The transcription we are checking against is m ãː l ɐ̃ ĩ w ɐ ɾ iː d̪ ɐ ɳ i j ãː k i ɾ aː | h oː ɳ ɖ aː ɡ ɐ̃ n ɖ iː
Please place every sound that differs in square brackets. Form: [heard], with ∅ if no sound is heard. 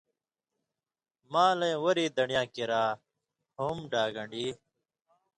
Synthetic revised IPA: m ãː l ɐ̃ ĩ w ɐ ɾ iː d̪ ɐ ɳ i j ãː k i ɾ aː | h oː [m] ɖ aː ɡ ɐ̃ [ɳ] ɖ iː